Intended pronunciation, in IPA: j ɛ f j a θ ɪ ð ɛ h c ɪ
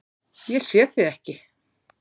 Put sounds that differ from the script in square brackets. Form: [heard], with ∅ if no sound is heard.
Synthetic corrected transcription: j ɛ [s] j [ɛ] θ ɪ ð ɛ h c ɪ